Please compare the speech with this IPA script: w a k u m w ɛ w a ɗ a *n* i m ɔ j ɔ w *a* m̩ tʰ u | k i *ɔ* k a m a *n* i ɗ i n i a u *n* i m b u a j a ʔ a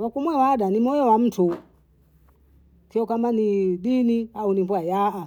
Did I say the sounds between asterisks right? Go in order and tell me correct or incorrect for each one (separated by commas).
correct, correct, correct, correct, correct